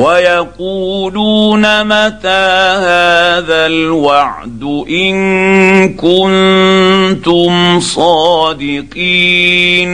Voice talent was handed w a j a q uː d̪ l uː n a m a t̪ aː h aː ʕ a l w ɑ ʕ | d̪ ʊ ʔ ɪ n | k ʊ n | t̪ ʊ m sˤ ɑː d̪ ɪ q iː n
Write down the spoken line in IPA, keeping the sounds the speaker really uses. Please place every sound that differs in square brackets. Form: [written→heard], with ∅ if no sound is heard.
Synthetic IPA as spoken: w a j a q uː [d̪→∅] l uː n a m a t̪ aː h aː [ʕ→ð] a l w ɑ ʕ | d̪ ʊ ʔ ɪ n | k ʊ n | t̪ ʊ m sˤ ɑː d̪ ɪ q iː n